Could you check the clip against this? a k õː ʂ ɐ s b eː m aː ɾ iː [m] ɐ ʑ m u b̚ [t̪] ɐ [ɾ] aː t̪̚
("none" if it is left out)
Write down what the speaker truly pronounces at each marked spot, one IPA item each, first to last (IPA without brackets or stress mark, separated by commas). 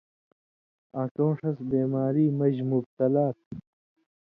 m, t̪, l